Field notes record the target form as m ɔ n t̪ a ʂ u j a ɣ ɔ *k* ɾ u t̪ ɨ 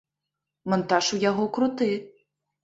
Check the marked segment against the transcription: correct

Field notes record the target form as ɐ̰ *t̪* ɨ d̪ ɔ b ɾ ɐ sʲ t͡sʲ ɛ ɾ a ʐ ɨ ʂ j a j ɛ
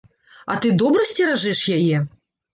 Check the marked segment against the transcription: correct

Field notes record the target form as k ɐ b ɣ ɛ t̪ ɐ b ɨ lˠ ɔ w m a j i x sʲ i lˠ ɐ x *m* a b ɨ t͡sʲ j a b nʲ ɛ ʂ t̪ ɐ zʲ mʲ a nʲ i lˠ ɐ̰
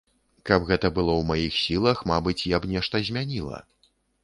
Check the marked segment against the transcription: correct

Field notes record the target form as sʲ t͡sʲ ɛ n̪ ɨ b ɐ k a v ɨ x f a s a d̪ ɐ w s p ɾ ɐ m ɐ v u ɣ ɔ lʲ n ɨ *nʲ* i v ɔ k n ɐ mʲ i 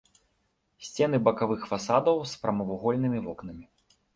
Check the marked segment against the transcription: incorrect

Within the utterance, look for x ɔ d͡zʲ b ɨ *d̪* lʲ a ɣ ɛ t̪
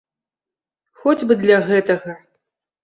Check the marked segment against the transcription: correct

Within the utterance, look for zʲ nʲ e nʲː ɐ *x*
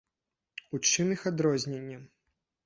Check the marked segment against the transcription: incorrect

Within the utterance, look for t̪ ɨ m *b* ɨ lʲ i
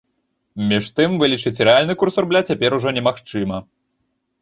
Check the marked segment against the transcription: incorrect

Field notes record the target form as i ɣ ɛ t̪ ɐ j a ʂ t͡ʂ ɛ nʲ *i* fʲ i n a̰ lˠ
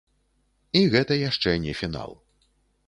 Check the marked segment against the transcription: incorrect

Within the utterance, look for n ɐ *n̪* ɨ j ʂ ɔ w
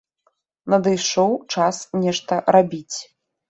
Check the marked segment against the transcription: incorrect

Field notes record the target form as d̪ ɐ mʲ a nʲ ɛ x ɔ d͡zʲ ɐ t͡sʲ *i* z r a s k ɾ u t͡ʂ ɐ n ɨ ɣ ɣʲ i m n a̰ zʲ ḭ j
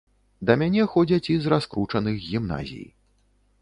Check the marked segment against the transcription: correct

